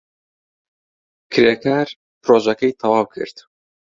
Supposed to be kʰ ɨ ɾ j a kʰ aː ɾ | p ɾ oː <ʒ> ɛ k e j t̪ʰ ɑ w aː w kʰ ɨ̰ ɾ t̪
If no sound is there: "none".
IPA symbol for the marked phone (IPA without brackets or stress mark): ʒ